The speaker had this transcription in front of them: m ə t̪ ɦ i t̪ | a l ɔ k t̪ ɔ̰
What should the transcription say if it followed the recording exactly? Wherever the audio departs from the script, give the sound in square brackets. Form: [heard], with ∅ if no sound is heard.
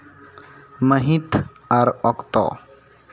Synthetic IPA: m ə [∅] ɦ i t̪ | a [ɾ] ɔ k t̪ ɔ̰